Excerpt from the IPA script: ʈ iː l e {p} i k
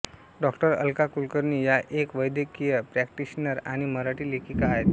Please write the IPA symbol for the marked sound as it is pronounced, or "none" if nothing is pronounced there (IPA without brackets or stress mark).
k